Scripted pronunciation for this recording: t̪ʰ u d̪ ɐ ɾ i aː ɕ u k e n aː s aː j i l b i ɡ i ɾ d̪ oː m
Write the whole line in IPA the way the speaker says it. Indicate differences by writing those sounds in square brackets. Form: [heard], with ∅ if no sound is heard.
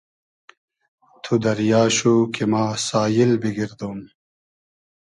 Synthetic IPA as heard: t̪ʰ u d̪ ɐ ɾ [j] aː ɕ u k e [m] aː s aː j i l b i ɡ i ɾ d̪ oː m